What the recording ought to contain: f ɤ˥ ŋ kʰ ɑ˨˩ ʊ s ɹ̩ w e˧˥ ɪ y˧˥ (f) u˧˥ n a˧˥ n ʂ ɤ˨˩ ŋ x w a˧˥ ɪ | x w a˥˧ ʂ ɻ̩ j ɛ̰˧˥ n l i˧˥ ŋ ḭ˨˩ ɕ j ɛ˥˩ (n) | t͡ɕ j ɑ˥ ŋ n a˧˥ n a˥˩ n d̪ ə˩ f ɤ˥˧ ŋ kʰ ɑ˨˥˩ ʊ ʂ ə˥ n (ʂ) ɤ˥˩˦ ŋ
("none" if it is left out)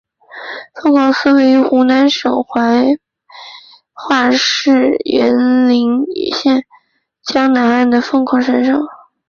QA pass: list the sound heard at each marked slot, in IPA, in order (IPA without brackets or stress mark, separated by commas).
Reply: x, n, ʂ